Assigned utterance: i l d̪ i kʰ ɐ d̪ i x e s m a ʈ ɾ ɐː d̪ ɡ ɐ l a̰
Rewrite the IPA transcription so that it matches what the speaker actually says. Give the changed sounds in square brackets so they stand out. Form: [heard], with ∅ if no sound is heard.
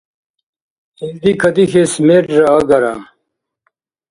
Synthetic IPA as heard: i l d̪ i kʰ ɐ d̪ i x e s m [e] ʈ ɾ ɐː [∅] ɡ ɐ [ɾ] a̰